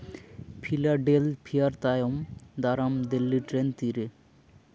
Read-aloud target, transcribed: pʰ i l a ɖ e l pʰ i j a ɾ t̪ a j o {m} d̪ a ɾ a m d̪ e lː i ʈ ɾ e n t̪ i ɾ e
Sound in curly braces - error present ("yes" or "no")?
no